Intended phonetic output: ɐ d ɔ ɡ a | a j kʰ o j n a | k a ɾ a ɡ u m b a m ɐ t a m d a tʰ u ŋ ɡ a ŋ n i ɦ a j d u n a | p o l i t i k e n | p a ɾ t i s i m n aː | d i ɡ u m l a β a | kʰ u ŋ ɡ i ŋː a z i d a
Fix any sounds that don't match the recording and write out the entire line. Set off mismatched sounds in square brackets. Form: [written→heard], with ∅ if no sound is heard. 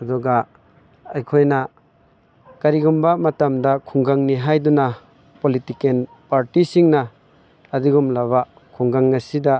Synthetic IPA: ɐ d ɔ ɡ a | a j kʰ o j n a | k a ɾ [a→i] ɡ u m b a m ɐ t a m d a [tʰ→kʰ] u ŋ ɡ a ŋ n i ɦ a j d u n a | p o l i t i k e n | p a ɾ t i s i [m→ŋ] n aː | d i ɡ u m l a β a | kʰ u ŋ ɡ [i→a] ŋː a [z→s] i d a